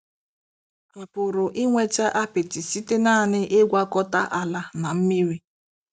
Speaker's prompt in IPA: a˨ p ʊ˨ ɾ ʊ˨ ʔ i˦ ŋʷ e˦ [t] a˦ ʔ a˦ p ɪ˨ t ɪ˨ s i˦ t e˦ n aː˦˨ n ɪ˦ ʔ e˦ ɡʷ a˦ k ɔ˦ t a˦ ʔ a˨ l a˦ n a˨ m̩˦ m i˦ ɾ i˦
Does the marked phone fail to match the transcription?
yes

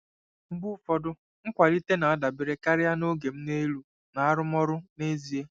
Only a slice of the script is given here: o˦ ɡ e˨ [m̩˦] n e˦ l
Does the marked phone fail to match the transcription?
no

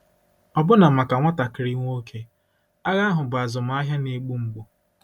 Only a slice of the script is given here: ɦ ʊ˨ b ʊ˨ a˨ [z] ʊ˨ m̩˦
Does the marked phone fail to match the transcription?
no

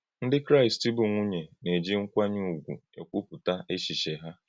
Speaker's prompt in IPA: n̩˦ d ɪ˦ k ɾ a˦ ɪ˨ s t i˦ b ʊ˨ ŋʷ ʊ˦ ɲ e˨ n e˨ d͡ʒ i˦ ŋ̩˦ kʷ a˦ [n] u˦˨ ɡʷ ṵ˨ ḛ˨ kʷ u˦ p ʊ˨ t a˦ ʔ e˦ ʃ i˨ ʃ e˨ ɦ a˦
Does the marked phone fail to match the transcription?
yes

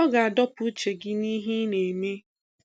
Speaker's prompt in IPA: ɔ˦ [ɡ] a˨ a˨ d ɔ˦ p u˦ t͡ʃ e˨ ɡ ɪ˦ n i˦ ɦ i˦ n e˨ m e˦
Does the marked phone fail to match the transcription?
no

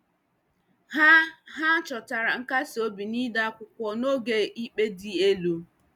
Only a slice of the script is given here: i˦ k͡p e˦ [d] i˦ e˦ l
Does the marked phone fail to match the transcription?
no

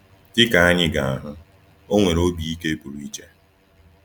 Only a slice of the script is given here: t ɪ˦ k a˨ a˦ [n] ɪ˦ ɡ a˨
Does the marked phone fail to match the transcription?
yes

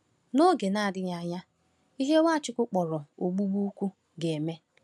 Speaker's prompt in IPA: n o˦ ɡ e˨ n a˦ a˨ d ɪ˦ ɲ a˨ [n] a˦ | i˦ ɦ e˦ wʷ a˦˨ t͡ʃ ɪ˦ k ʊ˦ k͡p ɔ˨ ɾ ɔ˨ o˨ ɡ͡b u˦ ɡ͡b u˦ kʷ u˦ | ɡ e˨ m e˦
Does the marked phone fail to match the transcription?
yes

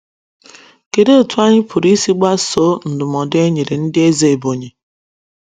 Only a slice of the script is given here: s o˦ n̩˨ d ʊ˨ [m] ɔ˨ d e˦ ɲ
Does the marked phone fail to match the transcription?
no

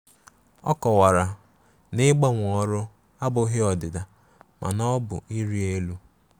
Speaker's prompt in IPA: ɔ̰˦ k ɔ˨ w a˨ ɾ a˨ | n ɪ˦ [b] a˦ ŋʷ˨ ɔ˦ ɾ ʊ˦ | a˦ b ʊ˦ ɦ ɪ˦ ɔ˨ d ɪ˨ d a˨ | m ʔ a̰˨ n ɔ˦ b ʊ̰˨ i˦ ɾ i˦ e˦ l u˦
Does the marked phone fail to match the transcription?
yes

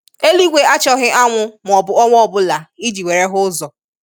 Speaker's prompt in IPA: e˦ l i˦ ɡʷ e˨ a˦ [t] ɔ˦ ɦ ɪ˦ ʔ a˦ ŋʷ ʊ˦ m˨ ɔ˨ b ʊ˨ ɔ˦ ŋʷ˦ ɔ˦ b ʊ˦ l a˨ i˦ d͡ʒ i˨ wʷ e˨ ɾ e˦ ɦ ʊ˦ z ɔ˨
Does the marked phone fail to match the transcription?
yes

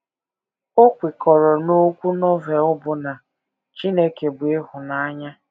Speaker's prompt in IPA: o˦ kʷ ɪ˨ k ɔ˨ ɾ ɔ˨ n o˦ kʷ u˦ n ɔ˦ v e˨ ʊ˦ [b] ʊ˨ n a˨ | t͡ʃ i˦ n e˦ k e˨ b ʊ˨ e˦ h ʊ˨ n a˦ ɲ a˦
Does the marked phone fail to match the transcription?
no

